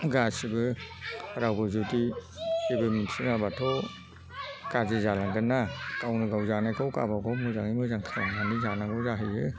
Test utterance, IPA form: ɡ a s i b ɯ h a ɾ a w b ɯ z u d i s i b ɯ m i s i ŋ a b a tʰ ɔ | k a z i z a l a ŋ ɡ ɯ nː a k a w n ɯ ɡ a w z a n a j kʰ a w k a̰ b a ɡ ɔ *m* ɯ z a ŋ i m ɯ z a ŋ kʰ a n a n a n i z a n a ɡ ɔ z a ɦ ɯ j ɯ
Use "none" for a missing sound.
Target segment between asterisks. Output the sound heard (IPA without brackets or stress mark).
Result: m